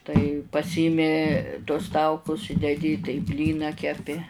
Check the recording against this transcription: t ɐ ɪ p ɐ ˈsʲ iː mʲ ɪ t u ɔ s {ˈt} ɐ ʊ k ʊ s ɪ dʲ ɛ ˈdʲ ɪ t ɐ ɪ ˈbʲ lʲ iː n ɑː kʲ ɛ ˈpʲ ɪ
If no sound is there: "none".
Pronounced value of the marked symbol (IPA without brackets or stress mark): t